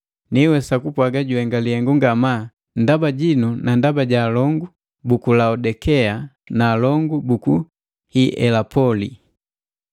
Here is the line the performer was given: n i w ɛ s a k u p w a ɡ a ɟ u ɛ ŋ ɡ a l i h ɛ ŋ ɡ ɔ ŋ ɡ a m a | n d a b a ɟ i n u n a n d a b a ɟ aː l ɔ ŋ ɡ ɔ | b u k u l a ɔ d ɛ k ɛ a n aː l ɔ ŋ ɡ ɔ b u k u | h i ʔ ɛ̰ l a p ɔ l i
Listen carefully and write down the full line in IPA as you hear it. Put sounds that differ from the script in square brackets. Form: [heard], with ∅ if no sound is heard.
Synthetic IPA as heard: n i w ɛ s a k u p w a ɡ a ɟ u ɛ ŋ ɡ a l i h ɛ ŋ ɡ [u] ŋ ɡ a m a | n d a b a ɟ i n u n a n d a b a ɟ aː l ɔ ŋ ɡ [u] | b u k u l a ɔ d ɛ k ɛ a n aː l ɔ ŋ ɡ [u] b u k u | h i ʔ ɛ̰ l a p ɔ l i